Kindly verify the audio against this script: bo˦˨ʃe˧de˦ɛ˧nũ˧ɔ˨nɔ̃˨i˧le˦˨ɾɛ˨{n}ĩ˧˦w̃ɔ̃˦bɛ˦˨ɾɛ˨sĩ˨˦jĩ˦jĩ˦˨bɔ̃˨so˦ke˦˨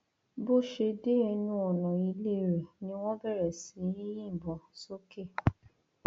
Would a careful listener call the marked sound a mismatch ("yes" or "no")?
no